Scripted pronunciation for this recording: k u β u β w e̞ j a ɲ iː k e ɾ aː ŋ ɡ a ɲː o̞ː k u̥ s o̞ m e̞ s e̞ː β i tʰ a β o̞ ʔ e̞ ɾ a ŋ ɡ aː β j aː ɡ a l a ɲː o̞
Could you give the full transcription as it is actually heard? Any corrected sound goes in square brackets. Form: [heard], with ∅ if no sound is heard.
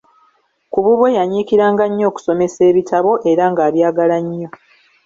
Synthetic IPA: k u β u β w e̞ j a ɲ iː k [i] ɾ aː ŋ ɡ a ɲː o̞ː k u̥ s o̞ m e̞ s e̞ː β i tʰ a β o̞ ʔ e̞ ɾ a ŋ ɡ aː β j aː ɡ a l a ɲː o̞